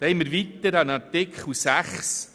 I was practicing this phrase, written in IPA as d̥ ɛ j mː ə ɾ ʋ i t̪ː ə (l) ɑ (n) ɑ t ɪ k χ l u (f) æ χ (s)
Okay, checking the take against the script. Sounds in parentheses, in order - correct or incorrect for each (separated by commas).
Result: incorrect, correct, incorrect, correct